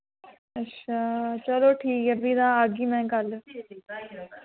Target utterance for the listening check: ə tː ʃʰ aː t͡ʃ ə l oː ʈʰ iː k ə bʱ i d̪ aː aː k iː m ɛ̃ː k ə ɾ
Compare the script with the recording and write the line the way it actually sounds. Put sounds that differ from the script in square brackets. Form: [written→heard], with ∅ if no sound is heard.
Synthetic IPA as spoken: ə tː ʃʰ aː t͡ʃ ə l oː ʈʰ iː k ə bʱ i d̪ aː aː [k→ɡ] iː m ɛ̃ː k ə [ɾ→l]

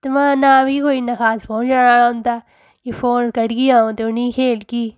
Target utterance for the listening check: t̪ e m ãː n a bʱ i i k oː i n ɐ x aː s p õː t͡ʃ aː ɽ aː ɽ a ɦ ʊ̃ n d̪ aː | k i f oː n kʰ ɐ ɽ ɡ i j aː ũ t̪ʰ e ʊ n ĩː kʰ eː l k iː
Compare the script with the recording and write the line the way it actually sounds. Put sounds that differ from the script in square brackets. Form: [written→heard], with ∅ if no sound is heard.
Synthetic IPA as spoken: t̪ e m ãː n a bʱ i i k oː i n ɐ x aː s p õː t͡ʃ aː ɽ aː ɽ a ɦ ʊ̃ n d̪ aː | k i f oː n [kʰ→k] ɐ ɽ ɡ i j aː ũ [t̪ʰ→t̪] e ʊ n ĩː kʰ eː l k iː

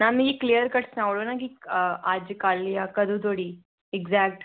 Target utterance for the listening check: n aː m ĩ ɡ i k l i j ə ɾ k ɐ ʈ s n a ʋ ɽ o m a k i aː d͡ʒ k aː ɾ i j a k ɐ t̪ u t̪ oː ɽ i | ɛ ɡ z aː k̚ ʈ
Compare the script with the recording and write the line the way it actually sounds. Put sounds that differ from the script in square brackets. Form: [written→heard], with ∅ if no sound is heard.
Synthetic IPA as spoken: n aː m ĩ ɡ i k l i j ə ɾ k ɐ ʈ s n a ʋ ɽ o [m→n] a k i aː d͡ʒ k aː [ɾ→l] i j a k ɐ [t̪→d̪] u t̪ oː ɽ i | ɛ ɡ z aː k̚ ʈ

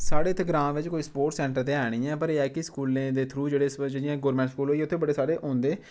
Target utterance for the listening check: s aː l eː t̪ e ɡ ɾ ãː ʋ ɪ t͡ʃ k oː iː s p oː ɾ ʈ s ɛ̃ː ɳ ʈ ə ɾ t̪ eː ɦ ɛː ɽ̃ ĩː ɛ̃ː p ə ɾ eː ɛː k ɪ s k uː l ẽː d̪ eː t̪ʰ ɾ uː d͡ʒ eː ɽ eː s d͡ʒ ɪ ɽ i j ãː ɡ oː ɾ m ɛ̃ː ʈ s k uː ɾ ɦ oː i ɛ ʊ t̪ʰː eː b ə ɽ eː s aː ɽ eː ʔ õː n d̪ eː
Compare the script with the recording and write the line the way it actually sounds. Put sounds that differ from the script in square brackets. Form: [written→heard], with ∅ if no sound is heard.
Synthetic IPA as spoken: s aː [l→ɽ] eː t̪ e ɡ ɾ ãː ʋ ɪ t͡ʃ k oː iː s p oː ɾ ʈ s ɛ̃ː ɳ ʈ ə ɾ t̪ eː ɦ ɛː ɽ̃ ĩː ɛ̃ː p ə ɾ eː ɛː k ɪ s k uː l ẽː d̪ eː t̪ʰ ɾ uː d͡ʒ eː ɽ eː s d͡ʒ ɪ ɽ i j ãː ɡ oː ɾ m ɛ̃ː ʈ s k uː [ɾ→l] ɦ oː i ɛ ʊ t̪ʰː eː b ə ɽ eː s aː ɽ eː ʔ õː n d̪ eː

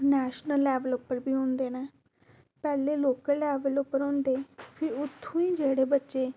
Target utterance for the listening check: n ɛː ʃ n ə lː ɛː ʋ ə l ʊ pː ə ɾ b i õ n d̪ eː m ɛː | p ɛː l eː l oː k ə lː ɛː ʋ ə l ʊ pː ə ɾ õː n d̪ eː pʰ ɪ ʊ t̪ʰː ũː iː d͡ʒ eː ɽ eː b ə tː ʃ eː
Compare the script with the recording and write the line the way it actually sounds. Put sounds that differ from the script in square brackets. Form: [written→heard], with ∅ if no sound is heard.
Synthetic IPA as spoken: n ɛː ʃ n ə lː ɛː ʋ ə l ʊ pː ə ɾ b [i→iː] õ n d̪ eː [m→n] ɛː | p ɛː l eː l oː k ə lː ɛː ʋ ə l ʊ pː ə ɾ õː n d̪ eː pʰ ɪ ʊ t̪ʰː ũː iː d͡ʒ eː ɽ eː b ə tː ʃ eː

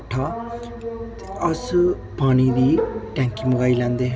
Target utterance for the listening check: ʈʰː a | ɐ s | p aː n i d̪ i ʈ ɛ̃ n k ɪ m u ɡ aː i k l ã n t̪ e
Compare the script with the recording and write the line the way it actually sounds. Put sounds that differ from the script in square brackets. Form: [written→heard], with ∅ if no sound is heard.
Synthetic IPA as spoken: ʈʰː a | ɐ s | p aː n i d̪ i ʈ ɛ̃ [n→ŋ] k [ɪ→i] m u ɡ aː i [k→∅] l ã n [t̪→d̪] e

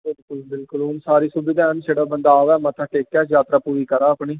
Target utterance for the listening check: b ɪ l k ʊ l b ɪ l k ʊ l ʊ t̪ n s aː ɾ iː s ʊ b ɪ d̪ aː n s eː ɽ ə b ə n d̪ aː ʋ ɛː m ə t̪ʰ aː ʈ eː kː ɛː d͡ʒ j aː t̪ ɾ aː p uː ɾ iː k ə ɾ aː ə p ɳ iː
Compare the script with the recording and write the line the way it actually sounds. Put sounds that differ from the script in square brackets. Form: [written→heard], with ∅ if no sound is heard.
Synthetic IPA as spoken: b ɪ l k ʊ l b ɪ l k ʊ l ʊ [t̪→∅] n s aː ɾ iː s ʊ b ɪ d̪ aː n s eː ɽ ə b ə n d̪ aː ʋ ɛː m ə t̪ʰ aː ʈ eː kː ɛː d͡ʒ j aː t̪ ɾ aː p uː ɾ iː k ə ɾ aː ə p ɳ iː

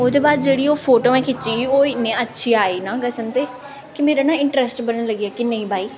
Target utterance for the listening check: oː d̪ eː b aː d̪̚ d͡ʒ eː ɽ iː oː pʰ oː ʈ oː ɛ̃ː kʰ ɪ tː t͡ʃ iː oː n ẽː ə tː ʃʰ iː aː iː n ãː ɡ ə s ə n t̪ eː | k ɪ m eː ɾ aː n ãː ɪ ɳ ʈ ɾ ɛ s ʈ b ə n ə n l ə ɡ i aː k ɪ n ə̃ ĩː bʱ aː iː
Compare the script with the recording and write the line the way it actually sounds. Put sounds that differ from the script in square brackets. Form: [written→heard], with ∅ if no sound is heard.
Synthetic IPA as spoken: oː d̪ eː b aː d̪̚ d͡ʒ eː ɽ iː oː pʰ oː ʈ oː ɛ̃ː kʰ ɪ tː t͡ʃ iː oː n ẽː ə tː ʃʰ iː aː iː n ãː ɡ ə s ə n t̪ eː | k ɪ m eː ɾ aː n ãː ɪ ɳ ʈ ɾ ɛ s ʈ b ə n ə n l ə ɡ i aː k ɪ n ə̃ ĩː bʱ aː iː

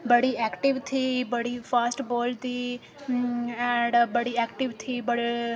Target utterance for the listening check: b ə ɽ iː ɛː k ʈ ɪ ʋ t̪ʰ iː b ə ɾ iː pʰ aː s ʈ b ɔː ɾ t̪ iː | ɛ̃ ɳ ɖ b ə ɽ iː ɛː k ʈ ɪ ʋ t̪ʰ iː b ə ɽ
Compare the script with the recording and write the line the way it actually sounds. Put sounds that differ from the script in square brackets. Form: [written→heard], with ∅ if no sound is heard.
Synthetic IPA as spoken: b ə ɽ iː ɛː k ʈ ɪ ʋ t̪ʰ iː b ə [ɾ→ɽ] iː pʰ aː s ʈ b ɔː [ɾ→l] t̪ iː | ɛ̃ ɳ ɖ b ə ɽ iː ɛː k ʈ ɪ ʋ t̪ʰ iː b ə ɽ

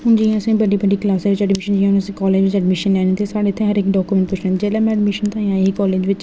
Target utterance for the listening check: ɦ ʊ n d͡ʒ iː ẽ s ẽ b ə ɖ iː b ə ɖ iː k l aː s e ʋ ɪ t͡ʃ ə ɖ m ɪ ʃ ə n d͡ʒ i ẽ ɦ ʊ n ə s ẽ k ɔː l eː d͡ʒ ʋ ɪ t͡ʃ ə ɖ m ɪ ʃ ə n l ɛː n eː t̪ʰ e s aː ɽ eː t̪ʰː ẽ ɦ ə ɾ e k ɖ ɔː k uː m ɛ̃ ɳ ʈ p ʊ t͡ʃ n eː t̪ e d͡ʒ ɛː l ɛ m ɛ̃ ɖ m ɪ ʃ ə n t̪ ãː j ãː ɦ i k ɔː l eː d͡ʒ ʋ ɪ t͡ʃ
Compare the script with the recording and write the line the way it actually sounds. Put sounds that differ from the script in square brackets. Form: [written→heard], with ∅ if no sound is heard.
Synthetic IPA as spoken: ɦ ʊ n d͡ʒ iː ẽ s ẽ b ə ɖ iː b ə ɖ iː k l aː s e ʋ ɪ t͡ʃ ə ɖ m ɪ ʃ ə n d͡ʒ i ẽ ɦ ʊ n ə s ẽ k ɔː l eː d͡ʒ ʋ ɪ t͡ʃ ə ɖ m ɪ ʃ ə n l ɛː n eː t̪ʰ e s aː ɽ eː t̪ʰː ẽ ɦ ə ɾ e k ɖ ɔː k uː m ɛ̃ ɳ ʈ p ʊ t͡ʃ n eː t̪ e d͡ʒ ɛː l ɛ m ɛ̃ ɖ m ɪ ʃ ə n t̪ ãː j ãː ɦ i k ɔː l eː d͡ʒ ʋ ɪ t͡ʃ

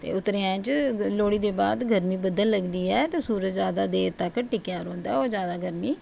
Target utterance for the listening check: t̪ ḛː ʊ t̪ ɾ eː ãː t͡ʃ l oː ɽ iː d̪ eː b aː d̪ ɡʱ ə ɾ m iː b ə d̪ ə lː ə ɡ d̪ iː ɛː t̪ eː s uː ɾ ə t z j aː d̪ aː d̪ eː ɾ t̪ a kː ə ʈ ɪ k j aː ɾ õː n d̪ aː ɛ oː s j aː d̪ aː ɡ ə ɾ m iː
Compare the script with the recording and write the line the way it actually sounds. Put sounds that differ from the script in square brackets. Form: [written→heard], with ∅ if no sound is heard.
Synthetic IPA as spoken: t̪ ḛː ʊ t̪ ɾ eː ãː t͡ʃ l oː ɽ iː d̪ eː b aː d̪ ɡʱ ə ɾ m iː b ə d̪ ə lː ə ɡ d̪ iː ɛː t̪ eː s uː ɾ ə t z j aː d̪ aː d̪ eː ɾ t̪ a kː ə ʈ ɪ k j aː ɾ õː n d̪ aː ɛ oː [s→z] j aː d̪ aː ɡ ə ɾ m iː

